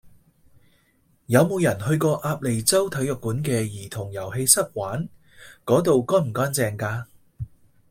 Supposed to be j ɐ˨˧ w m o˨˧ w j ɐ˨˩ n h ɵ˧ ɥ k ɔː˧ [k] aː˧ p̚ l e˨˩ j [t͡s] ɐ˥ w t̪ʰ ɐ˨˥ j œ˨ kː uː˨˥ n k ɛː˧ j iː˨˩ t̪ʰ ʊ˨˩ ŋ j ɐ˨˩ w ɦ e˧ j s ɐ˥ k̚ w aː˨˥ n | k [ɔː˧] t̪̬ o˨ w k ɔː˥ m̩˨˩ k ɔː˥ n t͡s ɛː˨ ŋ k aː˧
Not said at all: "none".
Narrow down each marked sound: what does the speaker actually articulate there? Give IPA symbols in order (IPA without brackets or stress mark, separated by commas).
ʔ, t͡s, ɔː˨˥